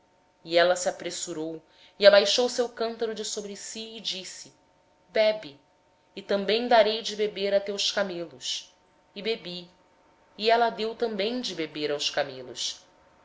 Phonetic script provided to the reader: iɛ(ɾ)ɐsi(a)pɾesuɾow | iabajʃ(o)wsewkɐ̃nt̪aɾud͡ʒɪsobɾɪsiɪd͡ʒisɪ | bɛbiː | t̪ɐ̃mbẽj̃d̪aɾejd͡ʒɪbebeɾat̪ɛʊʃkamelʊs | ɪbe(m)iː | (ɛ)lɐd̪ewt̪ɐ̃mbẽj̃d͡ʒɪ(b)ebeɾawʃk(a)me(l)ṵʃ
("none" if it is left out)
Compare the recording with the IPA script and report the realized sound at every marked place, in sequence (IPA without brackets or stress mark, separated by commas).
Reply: l, a, o, b, ɛ, b, a, l